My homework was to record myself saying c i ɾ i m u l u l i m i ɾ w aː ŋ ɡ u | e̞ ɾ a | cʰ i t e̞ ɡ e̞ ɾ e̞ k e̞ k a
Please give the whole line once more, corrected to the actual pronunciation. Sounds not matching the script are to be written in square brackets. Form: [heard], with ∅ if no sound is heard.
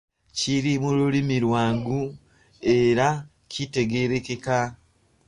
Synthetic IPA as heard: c i ɾ i m u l u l i m i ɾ w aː ŋ ɡ u | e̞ ɾ a | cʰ i t e̞ ɡ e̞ ɾ e̞ k e̞ k a